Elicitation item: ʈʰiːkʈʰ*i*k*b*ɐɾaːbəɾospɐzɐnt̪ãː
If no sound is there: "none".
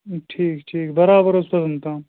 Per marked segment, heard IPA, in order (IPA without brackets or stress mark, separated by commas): iː, b